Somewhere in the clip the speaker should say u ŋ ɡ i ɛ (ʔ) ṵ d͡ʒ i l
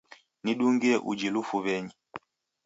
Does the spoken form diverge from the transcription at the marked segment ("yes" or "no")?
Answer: no